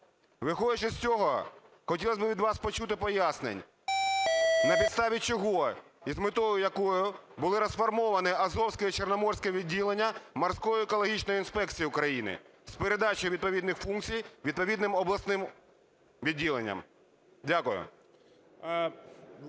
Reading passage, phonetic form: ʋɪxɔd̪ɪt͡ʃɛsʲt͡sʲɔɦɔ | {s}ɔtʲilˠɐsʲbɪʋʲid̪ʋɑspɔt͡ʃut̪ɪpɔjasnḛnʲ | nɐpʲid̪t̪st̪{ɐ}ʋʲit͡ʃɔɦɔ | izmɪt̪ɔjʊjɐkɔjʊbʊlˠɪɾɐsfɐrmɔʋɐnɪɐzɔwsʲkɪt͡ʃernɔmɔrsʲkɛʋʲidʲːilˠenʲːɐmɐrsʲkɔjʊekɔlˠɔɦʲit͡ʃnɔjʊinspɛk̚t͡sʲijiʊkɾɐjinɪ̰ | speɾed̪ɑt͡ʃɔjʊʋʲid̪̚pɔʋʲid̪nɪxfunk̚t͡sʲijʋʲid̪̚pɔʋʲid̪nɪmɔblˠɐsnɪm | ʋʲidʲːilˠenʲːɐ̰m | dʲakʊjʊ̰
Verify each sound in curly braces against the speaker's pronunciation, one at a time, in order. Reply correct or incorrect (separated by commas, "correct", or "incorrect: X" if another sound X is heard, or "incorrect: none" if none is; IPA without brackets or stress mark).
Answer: incorrect: x, incorrect: ɑ